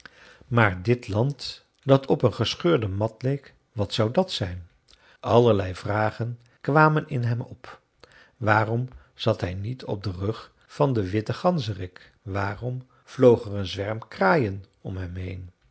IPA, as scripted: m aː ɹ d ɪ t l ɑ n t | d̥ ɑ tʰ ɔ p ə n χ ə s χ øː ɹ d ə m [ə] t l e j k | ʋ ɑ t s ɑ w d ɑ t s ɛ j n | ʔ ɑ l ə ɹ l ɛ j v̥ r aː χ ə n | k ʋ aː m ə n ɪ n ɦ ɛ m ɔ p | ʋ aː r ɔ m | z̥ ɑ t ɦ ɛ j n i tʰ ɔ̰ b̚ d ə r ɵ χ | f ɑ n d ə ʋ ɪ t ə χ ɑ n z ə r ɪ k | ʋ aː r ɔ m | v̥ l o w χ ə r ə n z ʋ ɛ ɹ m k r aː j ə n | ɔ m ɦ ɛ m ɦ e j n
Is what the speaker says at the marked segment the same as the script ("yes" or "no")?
no